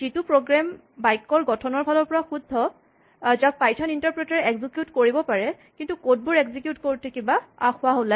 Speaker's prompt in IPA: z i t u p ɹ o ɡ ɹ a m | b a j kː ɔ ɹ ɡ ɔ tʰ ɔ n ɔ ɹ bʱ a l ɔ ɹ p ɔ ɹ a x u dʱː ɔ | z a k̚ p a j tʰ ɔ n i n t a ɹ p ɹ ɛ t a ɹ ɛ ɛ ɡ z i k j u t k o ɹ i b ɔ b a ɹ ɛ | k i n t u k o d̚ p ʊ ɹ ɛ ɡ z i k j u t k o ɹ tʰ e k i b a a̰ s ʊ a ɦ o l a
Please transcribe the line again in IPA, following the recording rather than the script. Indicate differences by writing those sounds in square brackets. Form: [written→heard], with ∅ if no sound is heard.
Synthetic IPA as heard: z i t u p ɹ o ɡ ɹ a m | b a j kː ɔ ɹ ɡ ɔ tʰ ɔ n ɔ ɹ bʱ a l ɔ ɹ p ɔ ɹ a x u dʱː ɔ | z a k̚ p a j tʰ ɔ n i n t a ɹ p ɹ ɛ t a ɹ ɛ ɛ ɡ z i k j u t k o ɹ i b ɔ [b→p] a ɹ ɛ | k i n t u k o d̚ [p→b] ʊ ɹ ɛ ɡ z i k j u t k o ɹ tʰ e k i b a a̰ [s→x] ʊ a ɦ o l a

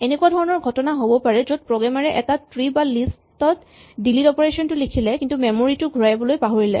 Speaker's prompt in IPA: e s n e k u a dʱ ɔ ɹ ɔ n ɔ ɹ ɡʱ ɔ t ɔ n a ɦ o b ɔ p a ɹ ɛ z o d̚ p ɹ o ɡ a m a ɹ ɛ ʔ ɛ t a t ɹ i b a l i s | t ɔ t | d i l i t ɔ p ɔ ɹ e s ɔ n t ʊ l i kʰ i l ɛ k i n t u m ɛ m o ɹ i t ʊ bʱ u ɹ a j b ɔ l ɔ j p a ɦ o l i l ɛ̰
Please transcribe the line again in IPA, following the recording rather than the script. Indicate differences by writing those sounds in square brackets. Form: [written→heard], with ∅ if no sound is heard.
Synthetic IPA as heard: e [s→∅] n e k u a dʱ ɔ ɹ ɔ n ɔ ɹ ɡʱ ɔ t ɔ n a ɦ o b ɔ p a ɹ ɛ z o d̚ p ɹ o ɡ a m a ɹ ɛ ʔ ɛ t a t ɹ i b a l i s | t ɔ t | d i l i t ɔ p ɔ ɹ e s ɔ n t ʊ l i kʰ i l ɛ k i n t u m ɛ m o ɹ i t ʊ [bʱ→ɡʱ] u ɹ a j b ɔ l [ɔ→o] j p a ɦ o [l→ɹ] i l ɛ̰

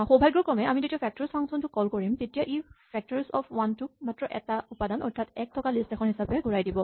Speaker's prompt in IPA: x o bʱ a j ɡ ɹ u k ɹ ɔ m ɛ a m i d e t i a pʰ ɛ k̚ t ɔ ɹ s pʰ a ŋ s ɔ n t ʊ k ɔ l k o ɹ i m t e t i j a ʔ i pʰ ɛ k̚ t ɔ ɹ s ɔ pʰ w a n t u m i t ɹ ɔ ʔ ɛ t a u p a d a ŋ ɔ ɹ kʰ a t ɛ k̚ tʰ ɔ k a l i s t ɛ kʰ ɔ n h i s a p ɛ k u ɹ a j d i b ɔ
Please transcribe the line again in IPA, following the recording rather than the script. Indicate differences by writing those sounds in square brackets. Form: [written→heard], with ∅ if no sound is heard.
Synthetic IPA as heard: x o bʱ a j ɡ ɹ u k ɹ ɔ m ɛ a m i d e t i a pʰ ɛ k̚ t ɔ ɹ s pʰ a ŋ s ɔ n t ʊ k ɔ l k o ɹ i m t e t i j a ʔ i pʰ ɛ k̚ t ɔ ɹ s ɔ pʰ w a n t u m [i→a] t ɹ ɔ ʔ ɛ t a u p a d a [ŋ→n] ɔ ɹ [kʰ→tʰ] a t ɛ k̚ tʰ ɔ k a l i s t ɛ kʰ ɔ n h i s a p ɛ [k→ɡ] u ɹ a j d i b ɔ

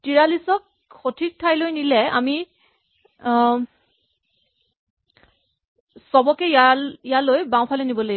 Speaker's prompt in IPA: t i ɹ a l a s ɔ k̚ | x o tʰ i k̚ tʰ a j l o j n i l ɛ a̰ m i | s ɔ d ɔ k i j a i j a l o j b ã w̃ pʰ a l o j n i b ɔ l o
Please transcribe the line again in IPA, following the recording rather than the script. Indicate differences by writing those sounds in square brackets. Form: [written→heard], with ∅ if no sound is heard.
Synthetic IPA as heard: t i ɹ a l [a→i] s ɔ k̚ | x o tʰ i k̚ tʰ a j l o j n i l ɛ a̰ m i | s ɔ [d→b] ɔ k [i→ɛ] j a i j a l o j b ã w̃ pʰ a l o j n i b ɔ l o

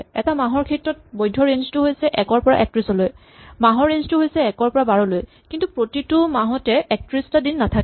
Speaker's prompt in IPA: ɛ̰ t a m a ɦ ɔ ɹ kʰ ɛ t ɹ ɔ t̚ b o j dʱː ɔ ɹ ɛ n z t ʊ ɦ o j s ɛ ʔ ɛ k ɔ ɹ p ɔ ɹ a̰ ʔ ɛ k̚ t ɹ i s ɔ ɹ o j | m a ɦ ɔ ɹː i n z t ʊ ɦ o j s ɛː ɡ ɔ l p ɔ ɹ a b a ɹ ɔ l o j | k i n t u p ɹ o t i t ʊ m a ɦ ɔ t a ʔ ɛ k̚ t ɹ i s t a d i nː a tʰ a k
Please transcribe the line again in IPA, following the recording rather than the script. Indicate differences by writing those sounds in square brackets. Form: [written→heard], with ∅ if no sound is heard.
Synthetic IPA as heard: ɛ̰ t a m a ɦ ɔ ɹ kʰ ɛ t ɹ ɔ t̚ b o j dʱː ɔ ɹ [ɛ→e] n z t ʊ ɦ o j s ɛ ʔ ɛ k ɔ ɹ p ɔ ɹ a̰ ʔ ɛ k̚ t ɹ i s ɔ [ɹ→l] o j | m a ɦ ɔ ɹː [i→e] n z t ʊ ɦ o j s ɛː [ɡ→k] ɔ [l→ɹ] p ɔ ɹ a b a ɹ ɔ l o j | k i n t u p ɹ o t i t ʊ m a ɦ ɔ t [a→ɛ] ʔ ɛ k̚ t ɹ i s t a d i nː a tʰ a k

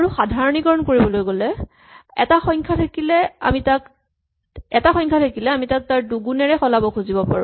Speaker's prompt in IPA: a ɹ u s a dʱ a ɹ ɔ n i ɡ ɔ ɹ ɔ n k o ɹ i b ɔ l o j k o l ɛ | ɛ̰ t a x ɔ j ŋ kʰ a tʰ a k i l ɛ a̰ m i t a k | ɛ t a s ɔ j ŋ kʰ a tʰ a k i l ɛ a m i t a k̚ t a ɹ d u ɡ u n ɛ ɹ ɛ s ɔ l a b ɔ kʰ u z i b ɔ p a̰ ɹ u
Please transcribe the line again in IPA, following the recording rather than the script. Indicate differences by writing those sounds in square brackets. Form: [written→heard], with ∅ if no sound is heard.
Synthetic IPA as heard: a ɹ u [s→x] a dʱ a ɹ ɔ n i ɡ ɔ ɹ ɔ n k o ɹ i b ɔ l o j [k→ɡ] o l ɛ | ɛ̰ t a x ɔ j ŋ kʰ a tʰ a k i l ɛ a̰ m i t a k | ɛ t a [s→x] ɔ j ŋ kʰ a tʰ a k i l ɛ a m i t a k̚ t a ɹ d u ɡ u n ɛ ɹ ɛ [s→x] ɔ l a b ɔ kʰ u z i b ɔ p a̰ ɹ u

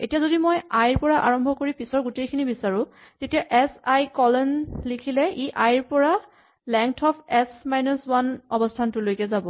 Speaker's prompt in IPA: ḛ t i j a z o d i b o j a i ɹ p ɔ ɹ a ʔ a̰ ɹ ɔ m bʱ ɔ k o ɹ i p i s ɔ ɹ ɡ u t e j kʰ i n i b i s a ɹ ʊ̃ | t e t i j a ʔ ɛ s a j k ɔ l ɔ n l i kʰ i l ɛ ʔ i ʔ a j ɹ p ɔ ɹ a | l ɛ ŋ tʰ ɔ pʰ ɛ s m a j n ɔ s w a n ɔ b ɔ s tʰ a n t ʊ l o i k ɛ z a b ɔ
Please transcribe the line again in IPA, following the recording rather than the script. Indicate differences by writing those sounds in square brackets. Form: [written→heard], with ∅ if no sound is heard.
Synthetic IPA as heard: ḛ t i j a z o d i [b→m] o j a [i→j] ɹ p ɔ ɹ a ʔ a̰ ɹ ɔ m bʱ ɔ k o ɹ i p i s ɔ ɹ ɡ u t e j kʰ i n i b i s a ɹ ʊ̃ | t e t i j a ʔ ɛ s a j k ɔ l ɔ n l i kʰ i l ɛ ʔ i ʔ a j ɹ p ɔ ɹ a | l ɛ ŋ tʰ ɔ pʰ ɛ s m a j n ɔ s w a n ɔ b ɔ s tʰ a n t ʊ l o [i→j] k ɛ z a b ɔ

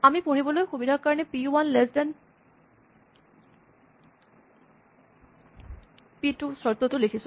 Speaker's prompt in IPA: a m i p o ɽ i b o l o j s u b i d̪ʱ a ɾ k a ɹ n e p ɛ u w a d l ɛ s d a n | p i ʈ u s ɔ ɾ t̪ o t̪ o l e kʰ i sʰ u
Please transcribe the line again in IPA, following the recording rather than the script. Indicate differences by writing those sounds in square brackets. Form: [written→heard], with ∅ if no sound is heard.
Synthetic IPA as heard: a m i p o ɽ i b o l o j [s→x] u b i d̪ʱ a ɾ k a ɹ n e p [ɛ→i] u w a [d→n] l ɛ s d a n | p i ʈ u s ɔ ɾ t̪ o t̪ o l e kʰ i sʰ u

